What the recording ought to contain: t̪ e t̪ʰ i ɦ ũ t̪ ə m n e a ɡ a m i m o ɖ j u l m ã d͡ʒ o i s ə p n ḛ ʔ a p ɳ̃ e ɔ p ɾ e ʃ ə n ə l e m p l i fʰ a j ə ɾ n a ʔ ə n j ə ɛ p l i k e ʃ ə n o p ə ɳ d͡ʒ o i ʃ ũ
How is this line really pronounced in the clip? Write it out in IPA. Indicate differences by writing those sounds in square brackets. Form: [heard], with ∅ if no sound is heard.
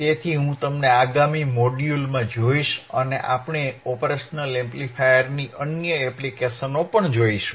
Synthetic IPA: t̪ e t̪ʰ i ɦ ũ t̪ ə m n e a ɡ a m i m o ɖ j u l m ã d͡ʒ o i [ʃ] ə [∅] n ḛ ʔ a p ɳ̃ e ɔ p ɾ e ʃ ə n ə l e m p l i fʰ a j ə ɾ n [i] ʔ ə n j ə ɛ p l i k e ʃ ə n o p ə ɳ d͡ʒ o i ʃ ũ